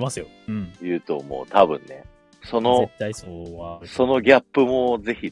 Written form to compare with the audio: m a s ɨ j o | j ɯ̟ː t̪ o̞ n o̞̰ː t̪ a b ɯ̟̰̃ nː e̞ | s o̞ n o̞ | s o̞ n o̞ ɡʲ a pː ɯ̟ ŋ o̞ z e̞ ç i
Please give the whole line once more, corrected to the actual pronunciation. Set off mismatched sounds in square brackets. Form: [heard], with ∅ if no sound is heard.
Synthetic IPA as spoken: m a s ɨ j o | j ɯ̟ː t̪ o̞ [m] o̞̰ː t̪ a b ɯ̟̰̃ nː e̞ | s o̞ n o̞ | s o̞ n o̞ ɡʲ a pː ɯ̟ [m] o̞ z e̞ ç i